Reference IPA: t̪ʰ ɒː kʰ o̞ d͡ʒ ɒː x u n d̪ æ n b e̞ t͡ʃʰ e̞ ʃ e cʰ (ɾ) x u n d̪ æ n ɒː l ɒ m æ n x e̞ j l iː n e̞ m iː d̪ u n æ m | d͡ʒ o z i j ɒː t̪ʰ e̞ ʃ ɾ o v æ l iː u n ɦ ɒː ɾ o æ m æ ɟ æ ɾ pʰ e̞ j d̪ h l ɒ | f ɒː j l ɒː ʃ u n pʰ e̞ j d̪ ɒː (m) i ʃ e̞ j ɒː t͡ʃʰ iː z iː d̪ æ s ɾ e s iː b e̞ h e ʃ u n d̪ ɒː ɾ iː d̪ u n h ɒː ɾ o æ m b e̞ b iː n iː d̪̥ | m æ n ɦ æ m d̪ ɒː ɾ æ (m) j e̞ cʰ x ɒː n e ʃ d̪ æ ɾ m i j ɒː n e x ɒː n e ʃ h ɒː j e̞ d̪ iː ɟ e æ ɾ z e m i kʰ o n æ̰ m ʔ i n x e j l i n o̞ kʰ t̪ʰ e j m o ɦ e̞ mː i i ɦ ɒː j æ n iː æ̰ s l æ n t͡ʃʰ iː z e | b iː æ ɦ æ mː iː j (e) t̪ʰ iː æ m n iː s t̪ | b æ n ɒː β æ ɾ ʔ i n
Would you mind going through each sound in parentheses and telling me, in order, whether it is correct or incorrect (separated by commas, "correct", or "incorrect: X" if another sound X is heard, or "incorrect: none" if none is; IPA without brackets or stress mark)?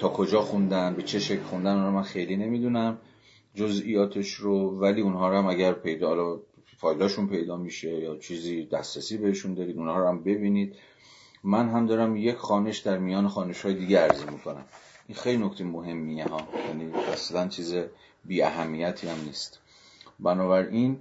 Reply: incorrect: l, correct, correct, incorrect: æ